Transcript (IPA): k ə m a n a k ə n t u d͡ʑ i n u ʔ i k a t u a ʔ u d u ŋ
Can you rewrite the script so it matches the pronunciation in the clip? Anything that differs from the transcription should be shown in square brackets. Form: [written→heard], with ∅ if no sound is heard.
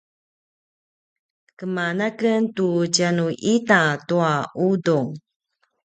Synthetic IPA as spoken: k ə m a n a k ə n t u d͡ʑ [i→a] n u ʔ i [k→t] a t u a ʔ u d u ŋ